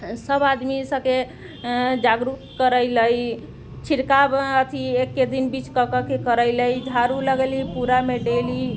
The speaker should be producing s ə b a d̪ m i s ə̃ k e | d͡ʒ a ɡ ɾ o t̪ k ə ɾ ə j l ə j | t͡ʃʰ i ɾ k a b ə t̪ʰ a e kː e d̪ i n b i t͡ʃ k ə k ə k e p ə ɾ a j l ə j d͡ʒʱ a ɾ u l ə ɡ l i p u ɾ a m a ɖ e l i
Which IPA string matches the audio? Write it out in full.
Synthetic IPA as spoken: s ə b a d̪ m i s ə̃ k e | d͡ʒ a ɡ ɾ u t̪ k ə ɾ ə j l ə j | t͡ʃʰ i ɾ k a b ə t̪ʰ i e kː e d̪ i n b i t͡ʃ k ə k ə k e k ə ɾ ə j l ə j d͡ʒʱ a ɾ u l ə ɡ l i p u ɾ a m e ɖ e l i